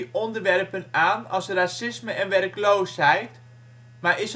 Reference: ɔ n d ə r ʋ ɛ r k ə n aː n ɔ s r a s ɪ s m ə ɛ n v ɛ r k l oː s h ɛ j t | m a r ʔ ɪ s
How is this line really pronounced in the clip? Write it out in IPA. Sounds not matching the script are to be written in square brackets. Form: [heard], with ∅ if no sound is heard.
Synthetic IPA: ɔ n d ə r ʋ ɛ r [p] ə n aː n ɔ s r a s ɪ s m ə ɛ n [ʋ] ɛ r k l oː s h ɛ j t | m a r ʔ ɪ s